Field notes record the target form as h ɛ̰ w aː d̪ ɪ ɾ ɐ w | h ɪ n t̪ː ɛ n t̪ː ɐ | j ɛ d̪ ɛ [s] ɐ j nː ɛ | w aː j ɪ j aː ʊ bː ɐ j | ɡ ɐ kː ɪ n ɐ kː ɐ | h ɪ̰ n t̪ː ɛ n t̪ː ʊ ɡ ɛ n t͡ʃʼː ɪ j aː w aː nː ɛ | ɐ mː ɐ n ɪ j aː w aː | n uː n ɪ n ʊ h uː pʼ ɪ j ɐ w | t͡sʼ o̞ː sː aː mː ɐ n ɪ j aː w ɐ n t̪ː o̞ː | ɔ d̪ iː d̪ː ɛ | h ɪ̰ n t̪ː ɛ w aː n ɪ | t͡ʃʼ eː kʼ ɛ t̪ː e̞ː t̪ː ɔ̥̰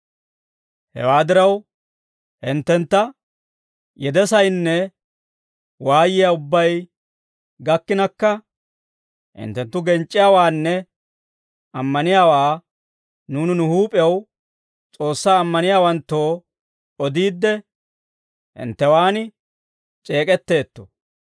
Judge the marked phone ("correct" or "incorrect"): correct